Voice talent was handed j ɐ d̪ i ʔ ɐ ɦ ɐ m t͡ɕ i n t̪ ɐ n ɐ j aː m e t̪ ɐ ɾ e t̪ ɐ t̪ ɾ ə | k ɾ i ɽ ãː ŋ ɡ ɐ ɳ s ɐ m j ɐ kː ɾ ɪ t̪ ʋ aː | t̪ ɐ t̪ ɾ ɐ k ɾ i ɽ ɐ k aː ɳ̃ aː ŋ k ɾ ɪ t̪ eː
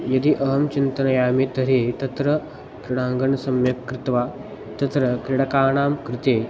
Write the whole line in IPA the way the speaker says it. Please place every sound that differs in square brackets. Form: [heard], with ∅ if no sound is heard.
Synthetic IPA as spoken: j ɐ d̪ i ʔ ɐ ɦ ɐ m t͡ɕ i n t̪ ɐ n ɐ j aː m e t̪ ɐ ɾ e t̪ ɐ t̪ ɾ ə | k ɾ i ɽ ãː ŋ ɡ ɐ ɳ s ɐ m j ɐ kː ɾ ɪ t̪ ʋ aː | t̪ ɐ t̪ ɾ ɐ k ɾ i ɽ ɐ k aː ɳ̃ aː [m] k ɾ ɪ t̪ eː

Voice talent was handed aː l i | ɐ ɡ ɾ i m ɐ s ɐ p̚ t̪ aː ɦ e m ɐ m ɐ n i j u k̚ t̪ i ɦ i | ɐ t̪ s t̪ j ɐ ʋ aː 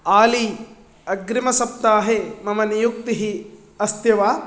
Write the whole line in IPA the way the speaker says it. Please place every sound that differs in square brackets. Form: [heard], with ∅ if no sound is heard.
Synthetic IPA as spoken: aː l i | ɐ ɡ ɾ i m ɐ s ɐ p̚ t̪ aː ɦ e m ɐ m ɐ n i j u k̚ t̪ i ɦ i | ɐ [∅] s t̪ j ɐ ʋ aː

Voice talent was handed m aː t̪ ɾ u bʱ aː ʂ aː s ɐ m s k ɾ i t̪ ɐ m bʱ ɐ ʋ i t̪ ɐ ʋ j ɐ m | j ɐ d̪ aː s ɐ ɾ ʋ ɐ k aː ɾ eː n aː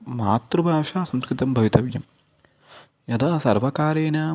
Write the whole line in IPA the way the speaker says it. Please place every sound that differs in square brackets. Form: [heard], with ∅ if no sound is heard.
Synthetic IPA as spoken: m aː t̪ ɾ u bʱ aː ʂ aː s ɐ m s k ɾ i t̪ ɐ m bʱ ɐ ʋ i t̪ ɐ ʋ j ɐ m | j ɐ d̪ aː s ɐ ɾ ʋ ɐ k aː ɾ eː n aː

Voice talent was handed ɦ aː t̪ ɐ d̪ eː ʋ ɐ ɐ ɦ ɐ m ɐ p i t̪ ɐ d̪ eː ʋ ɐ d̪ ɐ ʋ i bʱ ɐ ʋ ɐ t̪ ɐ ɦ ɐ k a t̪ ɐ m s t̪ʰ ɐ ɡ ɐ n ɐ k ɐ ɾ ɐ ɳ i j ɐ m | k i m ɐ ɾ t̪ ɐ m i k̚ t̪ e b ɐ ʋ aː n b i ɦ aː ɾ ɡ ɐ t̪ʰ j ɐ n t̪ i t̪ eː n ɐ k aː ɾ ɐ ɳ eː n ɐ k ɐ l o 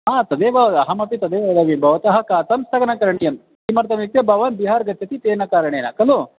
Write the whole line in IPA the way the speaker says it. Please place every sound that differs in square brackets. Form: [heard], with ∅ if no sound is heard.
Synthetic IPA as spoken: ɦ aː t̪ ɐ d̪ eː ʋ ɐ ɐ ɦ ɐ m ɐ p i t̪ ɐ d̪ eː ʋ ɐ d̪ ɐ ʋ i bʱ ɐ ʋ ɐ t̪ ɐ ɦ ɐ k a t̪ ɐ m s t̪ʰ ɐ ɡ ɐ n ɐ k ɐ ɾ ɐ ɳ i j ɐ m | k i m ɐ ɾ t̪ ɐ m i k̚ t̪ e b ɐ ʋ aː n b i ɦ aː ɾ ɡ ɐ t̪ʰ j ɐ [∅] t̪ i t̪ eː n ɐ k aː ɾ ɐ ɳ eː n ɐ k ɐ l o

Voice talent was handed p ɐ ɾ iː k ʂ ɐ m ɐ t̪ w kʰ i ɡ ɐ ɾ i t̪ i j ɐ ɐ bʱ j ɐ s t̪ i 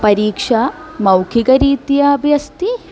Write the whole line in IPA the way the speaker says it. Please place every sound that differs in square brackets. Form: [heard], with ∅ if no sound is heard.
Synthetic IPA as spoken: p ɐ ɾ iː k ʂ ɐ m ɐ [∅] w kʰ i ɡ ɐ ɾ [iː] t̪ i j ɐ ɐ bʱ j ɐ s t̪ i

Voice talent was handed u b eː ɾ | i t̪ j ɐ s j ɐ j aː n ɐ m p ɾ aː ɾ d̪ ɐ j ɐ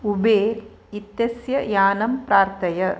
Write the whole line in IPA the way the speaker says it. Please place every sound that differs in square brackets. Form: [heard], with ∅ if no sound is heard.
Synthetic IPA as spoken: u b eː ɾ | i t̪ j ɐ s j ɐ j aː n ɐ m p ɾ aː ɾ [t̪] ɐ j ɐ

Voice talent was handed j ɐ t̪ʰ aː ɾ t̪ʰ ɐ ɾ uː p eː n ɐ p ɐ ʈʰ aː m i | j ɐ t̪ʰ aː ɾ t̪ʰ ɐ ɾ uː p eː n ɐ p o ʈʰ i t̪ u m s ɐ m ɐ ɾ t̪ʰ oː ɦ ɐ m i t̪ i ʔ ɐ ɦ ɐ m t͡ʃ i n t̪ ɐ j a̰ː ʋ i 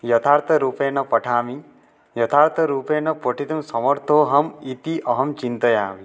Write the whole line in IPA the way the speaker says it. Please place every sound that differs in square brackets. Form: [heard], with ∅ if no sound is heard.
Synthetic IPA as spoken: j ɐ t̪ʰ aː ɾ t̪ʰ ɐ ɾ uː p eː n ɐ p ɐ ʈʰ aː m i | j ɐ t̪ʰ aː ɾ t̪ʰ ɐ ɾ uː p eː n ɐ p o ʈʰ i t̪ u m s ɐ m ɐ ɾ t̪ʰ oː ɦ ɐ m i t̪ i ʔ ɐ ɦ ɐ m t͡ʃ i n t̪ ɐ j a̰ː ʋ i

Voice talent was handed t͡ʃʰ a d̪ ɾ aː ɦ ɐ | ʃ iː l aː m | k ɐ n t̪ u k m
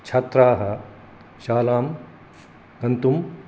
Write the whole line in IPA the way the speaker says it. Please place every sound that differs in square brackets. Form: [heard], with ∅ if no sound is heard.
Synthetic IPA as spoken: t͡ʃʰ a [t̪] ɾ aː ɦ ɐ | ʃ [aː] l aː m | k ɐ n t̪ u [∅] m

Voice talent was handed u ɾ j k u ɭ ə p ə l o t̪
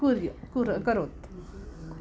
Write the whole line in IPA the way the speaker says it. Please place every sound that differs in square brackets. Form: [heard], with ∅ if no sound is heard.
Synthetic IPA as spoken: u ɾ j k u [ɾ] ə [k] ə [ɾ] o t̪

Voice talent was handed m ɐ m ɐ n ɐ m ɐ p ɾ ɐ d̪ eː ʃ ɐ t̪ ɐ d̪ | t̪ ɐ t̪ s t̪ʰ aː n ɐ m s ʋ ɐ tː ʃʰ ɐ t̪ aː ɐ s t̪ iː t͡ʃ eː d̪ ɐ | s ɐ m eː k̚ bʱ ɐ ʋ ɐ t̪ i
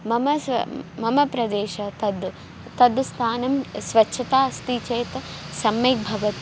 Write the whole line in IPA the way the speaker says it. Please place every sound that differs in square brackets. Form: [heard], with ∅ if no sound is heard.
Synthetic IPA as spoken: m ɐ m ɐ [m] ɐ m ɐ p ɾ ɐ d̪ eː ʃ ɐ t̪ ɐ d̪ | t̪ ɐ [d̪] s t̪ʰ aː n ɐ m s ʋ ɐ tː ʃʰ ɐ t̪ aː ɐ s t̪ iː t͡ʃ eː [t̪] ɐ | s ɐ m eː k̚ bʱ ɐ ʋ ɐ t̪ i

